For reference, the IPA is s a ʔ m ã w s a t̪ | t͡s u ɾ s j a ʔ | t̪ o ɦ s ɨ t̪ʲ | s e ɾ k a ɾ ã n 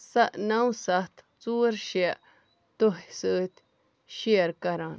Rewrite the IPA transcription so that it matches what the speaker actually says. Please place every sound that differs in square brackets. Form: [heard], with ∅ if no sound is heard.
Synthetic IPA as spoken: s a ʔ [n] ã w s a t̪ | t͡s u ɾ [ʃ] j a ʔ | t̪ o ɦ s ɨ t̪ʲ | [ʃ] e ɾ k a ɾ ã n